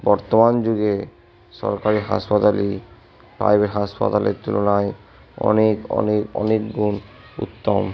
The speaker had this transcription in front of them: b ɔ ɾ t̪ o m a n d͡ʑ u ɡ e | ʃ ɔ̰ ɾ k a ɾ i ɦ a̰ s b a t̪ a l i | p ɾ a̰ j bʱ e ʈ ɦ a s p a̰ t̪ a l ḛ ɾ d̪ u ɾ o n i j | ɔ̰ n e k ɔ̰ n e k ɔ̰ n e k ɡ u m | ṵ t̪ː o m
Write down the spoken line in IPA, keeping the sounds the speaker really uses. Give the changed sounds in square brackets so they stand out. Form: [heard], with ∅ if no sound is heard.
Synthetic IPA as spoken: b ɔ ɾ t̪ o m a n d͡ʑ u ɡ e | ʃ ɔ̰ ɾ k a ɾ i ɦ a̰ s [p] a t̪ a l i | p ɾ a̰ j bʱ e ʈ ɦ a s p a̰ t̪ a l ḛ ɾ [t̪] u [l] o n [a] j | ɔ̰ n e k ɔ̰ n e k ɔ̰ n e k ɡ u [n] | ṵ t̪ː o m